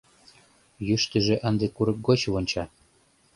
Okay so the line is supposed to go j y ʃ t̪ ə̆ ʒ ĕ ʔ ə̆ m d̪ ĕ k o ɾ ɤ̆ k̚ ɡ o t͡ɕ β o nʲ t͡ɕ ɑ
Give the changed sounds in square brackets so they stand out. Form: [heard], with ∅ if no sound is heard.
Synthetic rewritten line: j y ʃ t̪ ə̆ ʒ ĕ ʔ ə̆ [n] d̪ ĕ k [u] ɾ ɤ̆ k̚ ɡ o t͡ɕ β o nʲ t͡ɕ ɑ